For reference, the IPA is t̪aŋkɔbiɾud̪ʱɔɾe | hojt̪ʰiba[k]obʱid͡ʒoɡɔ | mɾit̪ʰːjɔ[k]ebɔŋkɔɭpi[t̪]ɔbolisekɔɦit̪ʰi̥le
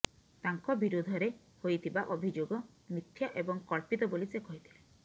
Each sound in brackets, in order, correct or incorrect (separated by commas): incorrect, incorrect, correct